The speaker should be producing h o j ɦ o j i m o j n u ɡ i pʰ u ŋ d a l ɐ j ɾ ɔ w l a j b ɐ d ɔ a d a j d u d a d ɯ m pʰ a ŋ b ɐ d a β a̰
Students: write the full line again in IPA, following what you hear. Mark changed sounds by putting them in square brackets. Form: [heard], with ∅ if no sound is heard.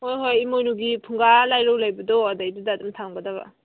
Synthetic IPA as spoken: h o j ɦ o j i m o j n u ɡ i pʰ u ŋ [ɡ] a l [a] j ɾ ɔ w l a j b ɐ d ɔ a d a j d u d a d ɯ m [tʰ] a ŋ b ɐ d a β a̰